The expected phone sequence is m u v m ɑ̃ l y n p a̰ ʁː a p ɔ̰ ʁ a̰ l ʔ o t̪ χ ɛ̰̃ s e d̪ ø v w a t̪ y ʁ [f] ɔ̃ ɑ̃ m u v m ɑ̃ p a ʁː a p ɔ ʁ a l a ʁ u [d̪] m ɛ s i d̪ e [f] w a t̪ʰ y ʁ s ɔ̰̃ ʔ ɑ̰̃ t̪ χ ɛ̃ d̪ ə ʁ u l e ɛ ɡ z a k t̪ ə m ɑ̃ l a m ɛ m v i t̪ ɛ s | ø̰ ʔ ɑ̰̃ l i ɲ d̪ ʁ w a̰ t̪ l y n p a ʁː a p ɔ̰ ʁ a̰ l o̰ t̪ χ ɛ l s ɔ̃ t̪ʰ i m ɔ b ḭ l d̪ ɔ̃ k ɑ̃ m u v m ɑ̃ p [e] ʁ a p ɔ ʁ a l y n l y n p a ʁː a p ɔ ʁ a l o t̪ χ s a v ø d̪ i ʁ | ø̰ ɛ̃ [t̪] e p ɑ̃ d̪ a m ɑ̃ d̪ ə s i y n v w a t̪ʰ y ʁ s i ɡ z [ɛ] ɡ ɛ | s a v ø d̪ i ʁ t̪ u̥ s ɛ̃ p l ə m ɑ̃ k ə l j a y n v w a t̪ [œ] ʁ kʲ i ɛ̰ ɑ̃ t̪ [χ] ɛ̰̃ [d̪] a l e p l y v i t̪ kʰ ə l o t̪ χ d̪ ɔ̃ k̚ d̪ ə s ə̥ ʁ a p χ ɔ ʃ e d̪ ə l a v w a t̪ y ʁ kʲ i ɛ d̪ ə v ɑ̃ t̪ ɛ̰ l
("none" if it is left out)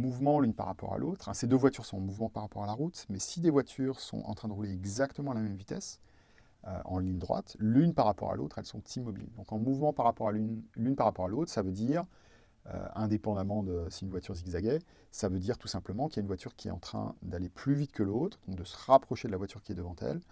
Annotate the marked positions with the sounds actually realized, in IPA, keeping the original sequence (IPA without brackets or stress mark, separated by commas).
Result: s, t̪, v, a, d̪, a, y, χ, d̪